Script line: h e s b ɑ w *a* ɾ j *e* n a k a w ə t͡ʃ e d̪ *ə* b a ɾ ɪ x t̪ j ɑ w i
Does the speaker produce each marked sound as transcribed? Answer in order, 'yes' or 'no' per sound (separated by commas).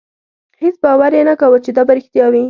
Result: yes, yes, no